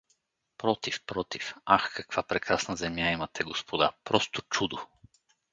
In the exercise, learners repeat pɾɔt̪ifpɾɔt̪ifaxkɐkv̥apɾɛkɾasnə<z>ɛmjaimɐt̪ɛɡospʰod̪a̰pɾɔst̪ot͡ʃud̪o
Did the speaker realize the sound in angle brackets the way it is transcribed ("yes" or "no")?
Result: yes